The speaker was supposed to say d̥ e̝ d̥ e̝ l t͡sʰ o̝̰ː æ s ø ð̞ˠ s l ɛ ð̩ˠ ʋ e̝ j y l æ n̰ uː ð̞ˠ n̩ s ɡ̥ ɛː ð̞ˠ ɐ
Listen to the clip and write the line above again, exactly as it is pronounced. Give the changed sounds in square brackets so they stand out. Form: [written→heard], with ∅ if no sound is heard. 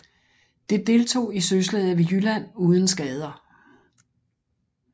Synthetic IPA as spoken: d̥ e̝ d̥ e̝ l t͡sʰ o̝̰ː [æ→i] s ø [ð̞ˠ→∅] s l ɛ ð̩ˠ ʋ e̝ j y l æ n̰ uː ð̞ˠ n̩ s ɡ̥ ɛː ð̞ˠ ɐ

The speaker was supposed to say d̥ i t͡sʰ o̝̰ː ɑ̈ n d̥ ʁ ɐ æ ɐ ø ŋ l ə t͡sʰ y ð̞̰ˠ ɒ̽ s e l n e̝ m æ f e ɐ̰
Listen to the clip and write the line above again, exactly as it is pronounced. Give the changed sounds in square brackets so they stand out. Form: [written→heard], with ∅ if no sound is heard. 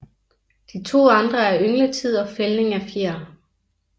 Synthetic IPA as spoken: d̥ i t͡sʰ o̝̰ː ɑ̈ n d̥ ʁ ɐ æ ɐ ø ŋ l ə t͡sʰ [y→i] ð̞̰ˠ ɒ̽ [s→f] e l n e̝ [m→ŋ] æ f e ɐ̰

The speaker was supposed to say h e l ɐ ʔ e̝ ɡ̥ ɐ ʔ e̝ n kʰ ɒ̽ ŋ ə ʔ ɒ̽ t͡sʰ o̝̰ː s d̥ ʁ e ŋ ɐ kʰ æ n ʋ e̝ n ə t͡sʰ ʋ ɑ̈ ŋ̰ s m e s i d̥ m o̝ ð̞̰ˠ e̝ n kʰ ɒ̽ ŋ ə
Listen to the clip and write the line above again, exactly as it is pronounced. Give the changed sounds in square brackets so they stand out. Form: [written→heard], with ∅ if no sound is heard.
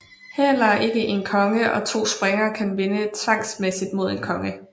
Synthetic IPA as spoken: h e l ɐ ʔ e̝ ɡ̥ [ɐ→ə] ʔ e̝ n kʰ ɒ̽ ŋ ə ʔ ɒ̽ t͡sʰ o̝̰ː s [d̥→b̥] ʁ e ŋ ɐ kʰ æ n ʋ e̝ n ə t͡sʰ ʋ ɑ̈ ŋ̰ s m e s i d̥ m o̝ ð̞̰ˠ e̝ n kʰ ɒ̽ ŋ ə

